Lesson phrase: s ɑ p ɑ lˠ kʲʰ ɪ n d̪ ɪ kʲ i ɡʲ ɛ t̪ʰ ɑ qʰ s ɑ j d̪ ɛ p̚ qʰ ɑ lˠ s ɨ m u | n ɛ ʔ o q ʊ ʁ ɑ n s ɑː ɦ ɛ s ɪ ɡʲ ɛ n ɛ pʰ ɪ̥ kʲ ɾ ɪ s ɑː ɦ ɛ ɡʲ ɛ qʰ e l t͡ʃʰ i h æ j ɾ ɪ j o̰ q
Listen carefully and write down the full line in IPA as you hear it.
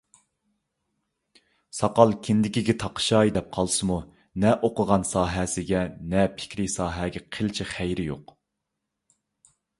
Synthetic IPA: s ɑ q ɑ lˠ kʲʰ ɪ n d̪ ɪ kʲ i ɡʲ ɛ t̪ʰ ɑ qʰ ʃ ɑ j d̪ ɛ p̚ qʰ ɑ lˠ s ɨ m u | n ɛ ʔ o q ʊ ʁ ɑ n s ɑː ɦ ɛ s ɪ ɡʲ ɛ n ɛ pʰ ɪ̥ kʲ ɾ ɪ s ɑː ɦ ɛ ɡʲ ɛ qʰ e l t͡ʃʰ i χ æ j ɾ ɪ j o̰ q